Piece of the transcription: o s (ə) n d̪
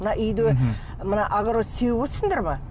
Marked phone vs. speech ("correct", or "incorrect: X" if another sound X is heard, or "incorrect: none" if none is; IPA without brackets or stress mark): correct